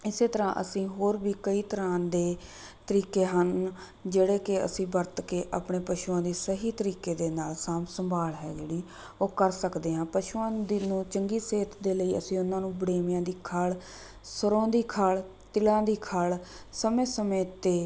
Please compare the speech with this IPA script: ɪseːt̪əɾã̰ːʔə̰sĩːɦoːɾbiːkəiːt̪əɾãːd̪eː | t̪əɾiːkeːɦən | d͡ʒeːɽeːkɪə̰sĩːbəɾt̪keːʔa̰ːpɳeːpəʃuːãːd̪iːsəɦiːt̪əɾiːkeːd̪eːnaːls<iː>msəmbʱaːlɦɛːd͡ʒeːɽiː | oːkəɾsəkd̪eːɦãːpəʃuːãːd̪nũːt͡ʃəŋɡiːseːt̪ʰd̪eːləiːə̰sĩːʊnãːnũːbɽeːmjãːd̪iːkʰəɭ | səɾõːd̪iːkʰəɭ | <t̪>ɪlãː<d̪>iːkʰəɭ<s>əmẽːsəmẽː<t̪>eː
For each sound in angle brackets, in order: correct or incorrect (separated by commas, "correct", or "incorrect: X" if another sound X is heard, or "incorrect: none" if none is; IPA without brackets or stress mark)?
incorrect: aː, correct, correct, correct, correct